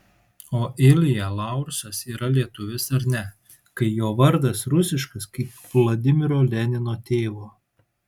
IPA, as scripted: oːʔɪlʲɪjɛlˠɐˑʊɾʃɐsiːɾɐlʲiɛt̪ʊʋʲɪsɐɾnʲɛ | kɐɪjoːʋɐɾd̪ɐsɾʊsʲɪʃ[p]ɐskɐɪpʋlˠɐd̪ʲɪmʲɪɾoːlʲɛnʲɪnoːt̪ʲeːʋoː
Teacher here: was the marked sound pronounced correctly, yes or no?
no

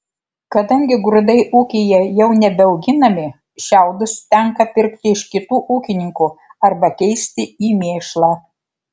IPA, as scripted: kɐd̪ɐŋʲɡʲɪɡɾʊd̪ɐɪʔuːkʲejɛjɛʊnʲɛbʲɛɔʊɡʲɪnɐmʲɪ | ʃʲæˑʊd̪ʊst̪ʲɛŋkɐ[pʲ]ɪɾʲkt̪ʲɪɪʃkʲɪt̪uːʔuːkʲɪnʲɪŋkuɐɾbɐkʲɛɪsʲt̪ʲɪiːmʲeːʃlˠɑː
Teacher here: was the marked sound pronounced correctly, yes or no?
yes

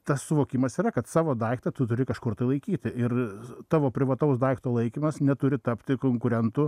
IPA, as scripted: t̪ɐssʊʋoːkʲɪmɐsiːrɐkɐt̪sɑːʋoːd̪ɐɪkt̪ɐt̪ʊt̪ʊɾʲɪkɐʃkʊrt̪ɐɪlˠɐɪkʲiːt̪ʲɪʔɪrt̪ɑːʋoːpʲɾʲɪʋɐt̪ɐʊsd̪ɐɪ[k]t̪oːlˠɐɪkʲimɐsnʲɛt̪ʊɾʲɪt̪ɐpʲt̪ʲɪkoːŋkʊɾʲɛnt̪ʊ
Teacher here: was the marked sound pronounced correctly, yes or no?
yes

